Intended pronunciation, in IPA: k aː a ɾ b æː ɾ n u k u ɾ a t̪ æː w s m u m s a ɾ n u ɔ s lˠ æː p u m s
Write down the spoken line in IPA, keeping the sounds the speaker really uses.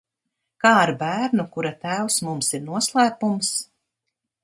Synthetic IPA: k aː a ɾ b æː ɾ n u k u ɾ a t̪ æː w s m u m s i ɾ n u ɔ s lˠ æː p u m s

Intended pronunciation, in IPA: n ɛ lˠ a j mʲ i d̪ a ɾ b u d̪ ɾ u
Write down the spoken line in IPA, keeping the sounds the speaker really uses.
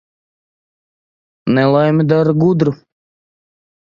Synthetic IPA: n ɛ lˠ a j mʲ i d̪ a ɾ ɡ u d̪ ɾ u

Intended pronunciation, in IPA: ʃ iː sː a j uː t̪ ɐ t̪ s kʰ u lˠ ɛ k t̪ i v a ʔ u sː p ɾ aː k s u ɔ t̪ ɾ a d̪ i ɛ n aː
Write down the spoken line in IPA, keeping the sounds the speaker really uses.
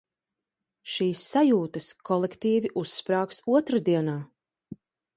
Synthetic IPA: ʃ iː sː a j uː t̪ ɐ s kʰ ɔ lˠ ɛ k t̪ iː v i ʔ u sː p ɾ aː k s u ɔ t̪ ɾ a d̪ i ɛ n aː

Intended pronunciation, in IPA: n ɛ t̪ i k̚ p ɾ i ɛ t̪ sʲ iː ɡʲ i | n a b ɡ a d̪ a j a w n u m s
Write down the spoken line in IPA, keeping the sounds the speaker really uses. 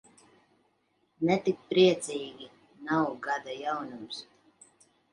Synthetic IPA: n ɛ t̪ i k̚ p ɾ i ɛ t̪ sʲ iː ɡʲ i | n a w ɡ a d̪ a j a w n u m s

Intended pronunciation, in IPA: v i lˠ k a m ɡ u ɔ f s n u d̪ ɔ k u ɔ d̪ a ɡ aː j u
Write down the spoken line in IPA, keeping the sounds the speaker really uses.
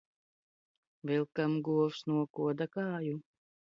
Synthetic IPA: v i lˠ k a m ɡ u ɔ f s n u ɔ k u ɔ d̪ a k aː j u

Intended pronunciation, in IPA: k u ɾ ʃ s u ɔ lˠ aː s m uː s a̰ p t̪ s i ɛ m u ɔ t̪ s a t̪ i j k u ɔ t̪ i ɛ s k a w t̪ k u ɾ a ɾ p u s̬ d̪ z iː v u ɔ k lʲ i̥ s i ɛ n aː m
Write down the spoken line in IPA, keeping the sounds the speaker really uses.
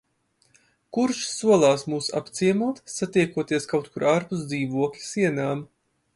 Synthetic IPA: k u ɾ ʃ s u ɔ lˠ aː s m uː s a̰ p t̪ s i ɛ m u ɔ t̪ s a t̪ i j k u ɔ t̪ i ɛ s k a w t̪ k u ɾ a ɾ p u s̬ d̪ z iː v u ɔ k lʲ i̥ s i ɛ n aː m

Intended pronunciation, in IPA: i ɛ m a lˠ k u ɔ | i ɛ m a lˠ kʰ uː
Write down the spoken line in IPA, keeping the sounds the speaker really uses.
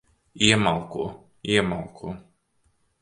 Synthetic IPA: i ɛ m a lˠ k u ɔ | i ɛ m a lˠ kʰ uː

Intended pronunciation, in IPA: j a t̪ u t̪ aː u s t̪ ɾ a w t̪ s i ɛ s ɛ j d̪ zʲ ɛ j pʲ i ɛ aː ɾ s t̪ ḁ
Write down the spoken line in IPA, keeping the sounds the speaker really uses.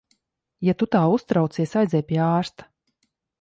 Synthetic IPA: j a t̪ u t̪ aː u s t̪ ɾ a w t̪ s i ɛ s a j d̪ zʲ ɛ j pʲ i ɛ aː ɾ s t̪ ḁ

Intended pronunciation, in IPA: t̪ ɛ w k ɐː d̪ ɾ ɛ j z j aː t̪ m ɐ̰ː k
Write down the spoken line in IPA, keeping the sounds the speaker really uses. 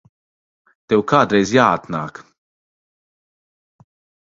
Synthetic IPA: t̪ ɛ w k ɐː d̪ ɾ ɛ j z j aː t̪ n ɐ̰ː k

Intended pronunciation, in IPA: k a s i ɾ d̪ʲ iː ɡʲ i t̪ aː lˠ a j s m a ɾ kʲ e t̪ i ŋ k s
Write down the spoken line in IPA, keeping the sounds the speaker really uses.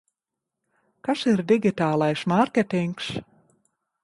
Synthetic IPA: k a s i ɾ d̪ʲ i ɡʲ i t̪ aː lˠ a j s m a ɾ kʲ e t̪ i ŋ k s

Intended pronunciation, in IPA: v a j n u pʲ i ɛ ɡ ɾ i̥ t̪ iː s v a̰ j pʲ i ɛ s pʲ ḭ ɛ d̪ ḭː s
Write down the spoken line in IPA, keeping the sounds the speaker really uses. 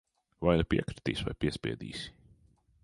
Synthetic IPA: v a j n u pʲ i ɛ k ɾ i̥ t̪ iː s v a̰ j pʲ i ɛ s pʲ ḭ ɛ d̪ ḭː s

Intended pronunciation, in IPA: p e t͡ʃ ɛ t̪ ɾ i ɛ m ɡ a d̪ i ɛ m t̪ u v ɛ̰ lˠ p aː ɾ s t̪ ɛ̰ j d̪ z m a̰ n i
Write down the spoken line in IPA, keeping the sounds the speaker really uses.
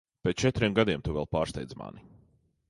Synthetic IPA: p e t͡ʃ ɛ t̪ ɾ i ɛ m ɡ a d̪ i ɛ m t̪ u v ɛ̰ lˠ p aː ɾ s t̪ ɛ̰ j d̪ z m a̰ n i

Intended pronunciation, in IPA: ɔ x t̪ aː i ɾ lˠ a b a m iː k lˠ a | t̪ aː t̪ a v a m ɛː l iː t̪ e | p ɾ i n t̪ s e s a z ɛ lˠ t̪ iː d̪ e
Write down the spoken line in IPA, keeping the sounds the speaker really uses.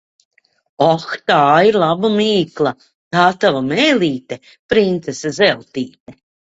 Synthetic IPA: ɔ x t̪ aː i ɾ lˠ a b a m iː k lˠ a | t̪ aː t̪ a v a m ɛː l iː t̪ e | p ɾ i n t̪ s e s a z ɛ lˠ t̪ iː t̪ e

